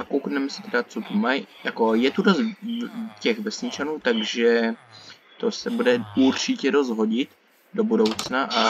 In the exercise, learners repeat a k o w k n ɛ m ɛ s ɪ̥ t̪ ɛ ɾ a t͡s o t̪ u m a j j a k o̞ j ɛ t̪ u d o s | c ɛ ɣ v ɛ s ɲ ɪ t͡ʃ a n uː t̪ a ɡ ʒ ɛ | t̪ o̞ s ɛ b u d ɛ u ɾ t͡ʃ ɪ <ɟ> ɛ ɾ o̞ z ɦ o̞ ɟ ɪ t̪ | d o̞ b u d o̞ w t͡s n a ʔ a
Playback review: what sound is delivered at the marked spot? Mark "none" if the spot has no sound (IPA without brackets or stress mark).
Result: c